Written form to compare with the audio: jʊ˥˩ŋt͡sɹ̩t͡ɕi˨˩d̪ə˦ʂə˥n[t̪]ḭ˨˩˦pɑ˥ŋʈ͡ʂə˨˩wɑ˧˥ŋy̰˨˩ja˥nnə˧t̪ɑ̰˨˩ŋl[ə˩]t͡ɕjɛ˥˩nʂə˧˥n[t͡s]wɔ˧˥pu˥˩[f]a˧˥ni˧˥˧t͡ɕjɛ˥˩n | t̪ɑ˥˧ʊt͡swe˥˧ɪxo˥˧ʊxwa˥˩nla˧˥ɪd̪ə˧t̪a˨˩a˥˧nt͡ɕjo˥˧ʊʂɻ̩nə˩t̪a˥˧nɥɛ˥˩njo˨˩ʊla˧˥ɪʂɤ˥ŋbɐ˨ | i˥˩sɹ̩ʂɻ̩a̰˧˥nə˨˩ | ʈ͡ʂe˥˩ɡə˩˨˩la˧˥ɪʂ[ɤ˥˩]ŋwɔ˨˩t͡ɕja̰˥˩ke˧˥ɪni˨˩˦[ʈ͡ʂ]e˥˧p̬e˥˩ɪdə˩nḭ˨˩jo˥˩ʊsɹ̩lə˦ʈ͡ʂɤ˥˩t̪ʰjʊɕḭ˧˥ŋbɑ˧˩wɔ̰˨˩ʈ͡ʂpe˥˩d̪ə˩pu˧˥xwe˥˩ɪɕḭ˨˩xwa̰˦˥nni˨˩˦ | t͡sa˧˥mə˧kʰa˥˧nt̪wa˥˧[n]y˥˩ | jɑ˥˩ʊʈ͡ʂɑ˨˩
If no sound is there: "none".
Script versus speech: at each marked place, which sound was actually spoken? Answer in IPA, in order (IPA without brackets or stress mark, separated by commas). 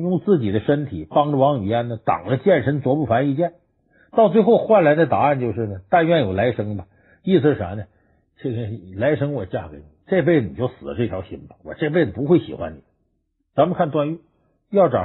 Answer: t̪ʰ, ə˦, t͡s, f, ɤ˥, ʈ͡ʂ, n